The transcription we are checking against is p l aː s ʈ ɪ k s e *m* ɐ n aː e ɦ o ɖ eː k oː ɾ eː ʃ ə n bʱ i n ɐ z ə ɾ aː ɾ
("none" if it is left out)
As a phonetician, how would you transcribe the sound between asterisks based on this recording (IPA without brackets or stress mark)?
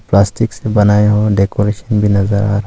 b